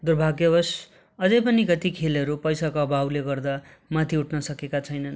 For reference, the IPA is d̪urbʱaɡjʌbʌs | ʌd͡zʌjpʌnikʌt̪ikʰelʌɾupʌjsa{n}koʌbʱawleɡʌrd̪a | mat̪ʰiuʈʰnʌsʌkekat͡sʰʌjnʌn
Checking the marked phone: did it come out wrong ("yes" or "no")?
yes